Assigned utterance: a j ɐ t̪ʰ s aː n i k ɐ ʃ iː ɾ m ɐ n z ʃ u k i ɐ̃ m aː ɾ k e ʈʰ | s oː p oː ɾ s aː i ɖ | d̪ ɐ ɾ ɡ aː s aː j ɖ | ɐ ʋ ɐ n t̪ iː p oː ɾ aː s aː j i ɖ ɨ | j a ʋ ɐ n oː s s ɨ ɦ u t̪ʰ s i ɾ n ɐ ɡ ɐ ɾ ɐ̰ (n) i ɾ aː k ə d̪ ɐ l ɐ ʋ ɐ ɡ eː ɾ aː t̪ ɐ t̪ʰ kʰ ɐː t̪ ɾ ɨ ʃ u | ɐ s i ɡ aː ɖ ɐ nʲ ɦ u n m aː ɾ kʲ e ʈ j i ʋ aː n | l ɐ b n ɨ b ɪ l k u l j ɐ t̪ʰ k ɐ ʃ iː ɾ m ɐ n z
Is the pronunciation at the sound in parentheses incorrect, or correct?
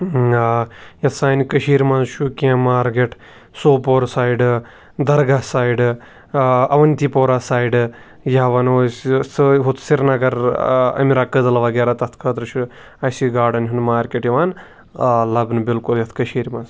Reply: incorrect